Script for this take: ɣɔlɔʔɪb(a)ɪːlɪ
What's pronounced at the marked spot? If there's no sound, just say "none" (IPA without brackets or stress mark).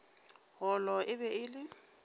ɛ